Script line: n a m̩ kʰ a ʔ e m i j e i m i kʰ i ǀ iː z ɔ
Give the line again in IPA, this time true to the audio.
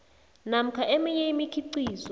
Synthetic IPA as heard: n a m̩ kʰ a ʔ e m i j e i m i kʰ i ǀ iː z ɔ